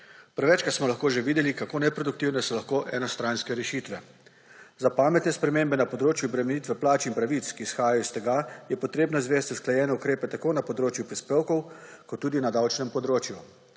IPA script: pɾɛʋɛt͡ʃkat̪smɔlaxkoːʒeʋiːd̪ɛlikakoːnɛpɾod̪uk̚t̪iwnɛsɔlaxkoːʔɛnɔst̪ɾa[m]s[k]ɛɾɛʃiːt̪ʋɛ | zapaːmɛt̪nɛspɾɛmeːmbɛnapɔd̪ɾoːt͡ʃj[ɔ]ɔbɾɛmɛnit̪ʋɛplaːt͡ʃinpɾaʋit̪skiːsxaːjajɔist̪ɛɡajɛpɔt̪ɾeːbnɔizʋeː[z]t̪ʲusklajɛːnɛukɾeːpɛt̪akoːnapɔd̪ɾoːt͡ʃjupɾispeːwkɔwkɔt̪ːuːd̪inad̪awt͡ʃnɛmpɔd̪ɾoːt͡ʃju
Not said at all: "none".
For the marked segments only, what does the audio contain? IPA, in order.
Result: n, k, u, s

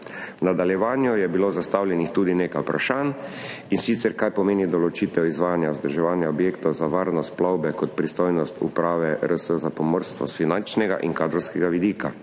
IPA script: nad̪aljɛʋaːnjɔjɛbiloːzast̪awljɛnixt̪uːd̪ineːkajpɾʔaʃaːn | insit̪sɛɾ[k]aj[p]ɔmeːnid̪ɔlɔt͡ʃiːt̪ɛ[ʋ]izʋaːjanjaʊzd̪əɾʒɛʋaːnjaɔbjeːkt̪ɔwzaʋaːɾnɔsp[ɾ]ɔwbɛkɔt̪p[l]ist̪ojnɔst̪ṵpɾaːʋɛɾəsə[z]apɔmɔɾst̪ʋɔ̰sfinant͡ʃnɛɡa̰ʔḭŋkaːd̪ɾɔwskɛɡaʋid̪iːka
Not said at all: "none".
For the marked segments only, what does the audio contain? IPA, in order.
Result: k, p, w, l, ɾ, z

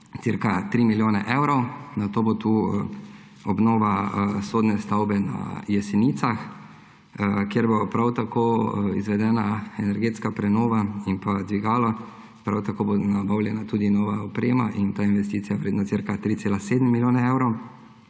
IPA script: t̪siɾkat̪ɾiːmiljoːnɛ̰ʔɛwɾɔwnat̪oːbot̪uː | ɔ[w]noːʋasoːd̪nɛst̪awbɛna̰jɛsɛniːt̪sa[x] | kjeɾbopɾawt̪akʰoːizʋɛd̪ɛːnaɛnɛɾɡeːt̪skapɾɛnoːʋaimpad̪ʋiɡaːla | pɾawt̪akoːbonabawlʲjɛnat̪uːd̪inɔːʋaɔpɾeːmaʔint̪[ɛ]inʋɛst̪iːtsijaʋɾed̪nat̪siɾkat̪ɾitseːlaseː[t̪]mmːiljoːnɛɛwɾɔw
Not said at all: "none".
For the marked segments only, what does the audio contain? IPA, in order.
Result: b, x, a, d̪

